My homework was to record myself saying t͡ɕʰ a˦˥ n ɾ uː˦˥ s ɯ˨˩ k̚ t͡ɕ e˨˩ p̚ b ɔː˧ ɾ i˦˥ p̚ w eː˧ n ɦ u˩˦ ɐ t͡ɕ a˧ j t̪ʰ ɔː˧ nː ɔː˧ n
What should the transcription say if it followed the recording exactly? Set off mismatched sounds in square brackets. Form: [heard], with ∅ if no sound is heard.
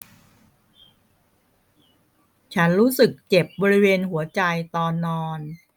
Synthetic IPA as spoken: t͡ɕʰ a˦˥ n ɾ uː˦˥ s ɯ˨˩ k̚ t͡ɕ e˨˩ p̚ b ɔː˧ ɾ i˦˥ [∅] w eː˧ n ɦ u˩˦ ɐ t͡ɕ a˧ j [t̪] ɔː˧ nː ɔː˧ n